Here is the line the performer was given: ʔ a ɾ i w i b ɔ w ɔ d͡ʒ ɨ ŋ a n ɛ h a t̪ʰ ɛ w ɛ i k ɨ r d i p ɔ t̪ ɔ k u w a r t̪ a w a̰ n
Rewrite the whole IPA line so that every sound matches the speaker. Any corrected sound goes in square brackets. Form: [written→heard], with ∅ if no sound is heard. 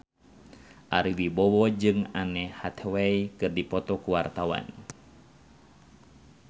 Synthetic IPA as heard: ʔ a ɾ i w i b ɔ w ɔ d͡ʒ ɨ ŋ a n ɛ h a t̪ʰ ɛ w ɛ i k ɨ r d i p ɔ t̪ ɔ k u w a r t̪ a w a̰ n